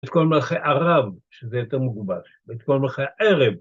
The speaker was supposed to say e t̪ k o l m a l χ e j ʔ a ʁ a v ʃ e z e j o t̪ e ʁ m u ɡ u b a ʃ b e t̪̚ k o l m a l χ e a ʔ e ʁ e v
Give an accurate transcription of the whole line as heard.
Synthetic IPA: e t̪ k o l m a l χ e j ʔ a ʁ a v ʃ e z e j o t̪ e ʁ m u ɡ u b a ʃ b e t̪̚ k o l m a l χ e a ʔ e ʁ e v